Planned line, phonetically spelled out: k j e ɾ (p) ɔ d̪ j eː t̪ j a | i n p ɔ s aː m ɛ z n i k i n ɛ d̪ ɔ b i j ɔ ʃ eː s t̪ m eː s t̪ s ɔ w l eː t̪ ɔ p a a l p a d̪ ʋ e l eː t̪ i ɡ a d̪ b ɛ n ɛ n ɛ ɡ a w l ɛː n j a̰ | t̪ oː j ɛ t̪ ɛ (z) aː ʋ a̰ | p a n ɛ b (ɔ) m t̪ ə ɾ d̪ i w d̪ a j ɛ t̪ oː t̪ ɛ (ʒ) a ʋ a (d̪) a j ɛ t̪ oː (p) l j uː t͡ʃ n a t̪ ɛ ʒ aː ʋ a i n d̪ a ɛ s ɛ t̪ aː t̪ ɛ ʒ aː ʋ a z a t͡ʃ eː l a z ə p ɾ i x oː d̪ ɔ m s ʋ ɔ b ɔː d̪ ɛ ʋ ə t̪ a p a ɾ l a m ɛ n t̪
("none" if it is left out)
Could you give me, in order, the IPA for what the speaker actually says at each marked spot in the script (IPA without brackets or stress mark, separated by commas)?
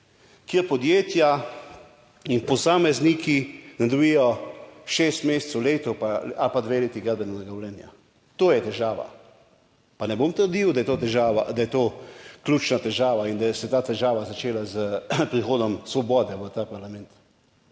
p, ʒ, o, ʒ, d̪, k